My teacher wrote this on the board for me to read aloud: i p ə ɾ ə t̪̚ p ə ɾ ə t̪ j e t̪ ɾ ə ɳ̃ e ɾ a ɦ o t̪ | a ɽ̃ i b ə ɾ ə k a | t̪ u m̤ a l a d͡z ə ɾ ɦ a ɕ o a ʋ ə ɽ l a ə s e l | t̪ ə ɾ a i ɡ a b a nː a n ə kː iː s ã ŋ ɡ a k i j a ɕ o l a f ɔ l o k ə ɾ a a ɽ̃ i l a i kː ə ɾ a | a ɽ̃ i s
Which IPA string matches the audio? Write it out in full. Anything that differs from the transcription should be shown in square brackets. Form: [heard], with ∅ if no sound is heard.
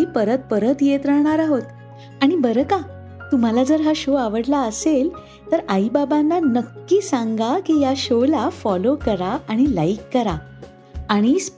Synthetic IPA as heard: i p ə ɾ ə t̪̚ p ə ɾ ə t̪ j e t̪ ɾ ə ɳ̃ [a] ɾ a ɦ o t̪ | a ɽ̃ i b ə ɾ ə k a | t̪ u m̤ a l a d͡z ə ɾ ɦ a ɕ o a ʋ ə ɽ l a ə s e l | t̪ ə ɾ a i [b] a b a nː a n ə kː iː s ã ŋ ɡ a k i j a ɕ o l a f ɔ l o k ə ɾ a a ɽ̃ i l a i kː ə ɾ a | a ɽ̃ i s